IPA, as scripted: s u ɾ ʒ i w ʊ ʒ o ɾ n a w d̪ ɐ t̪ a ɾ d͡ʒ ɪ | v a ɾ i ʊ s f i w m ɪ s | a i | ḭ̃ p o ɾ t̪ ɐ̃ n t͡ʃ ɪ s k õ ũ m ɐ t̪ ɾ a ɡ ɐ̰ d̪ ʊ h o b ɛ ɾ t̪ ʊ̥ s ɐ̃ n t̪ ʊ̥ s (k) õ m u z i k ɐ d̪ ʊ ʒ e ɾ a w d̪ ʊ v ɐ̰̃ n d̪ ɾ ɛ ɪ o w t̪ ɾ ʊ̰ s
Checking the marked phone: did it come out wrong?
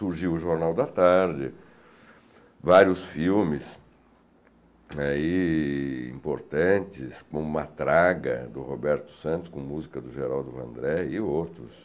no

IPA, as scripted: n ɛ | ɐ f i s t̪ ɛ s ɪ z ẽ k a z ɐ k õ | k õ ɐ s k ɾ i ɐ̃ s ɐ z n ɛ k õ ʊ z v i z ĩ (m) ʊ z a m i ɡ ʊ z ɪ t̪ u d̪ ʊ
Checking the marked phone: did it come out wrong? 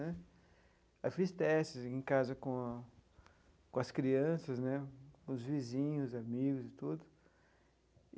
yes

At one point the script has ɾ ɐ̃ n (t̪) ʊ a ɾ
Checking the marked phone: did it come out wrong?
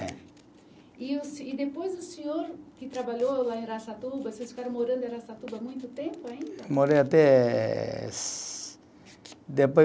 yes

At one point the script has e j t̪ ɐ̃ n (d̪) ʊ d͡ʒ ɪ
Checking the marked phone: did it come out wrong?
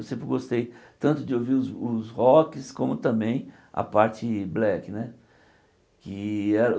yes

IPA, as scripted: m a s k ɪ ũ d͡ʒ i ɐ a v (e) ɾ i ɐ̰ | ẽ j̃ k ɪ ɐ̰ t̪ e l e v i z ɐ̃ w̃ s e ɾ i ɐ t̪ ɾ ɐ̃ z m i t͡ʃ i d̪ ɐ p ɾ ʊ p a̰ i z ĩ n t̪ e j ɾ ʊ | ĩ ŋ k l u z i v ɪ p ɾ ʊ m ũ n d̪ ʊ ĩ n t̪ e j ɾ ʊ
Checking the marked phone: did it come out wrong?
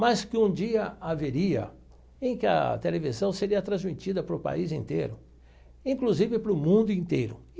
no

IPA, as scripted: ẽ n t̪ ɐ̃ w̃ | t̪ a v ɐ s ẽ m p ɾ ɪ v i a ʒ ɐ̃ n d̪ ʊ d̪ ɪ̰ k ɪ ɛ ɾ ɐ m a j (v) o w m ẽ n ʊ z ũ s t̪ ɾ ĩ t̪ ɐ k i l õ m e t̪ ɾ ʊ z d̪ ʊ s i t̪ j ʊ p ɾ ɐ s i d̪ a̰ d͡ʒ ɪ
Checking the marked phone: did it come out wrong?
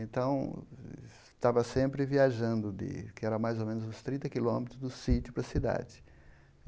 yes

